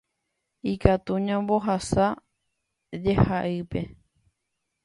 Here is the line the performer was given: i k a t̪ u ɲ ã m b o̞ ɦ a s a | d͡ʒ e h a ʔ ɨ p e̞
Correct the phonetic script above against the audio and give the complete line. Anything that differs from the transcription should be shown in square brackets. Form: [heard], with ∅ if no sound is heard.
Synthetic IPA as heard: i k a t̪ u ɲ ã m b o̞ ɦ a s a | d͡ʒ e h a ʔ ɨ p e̞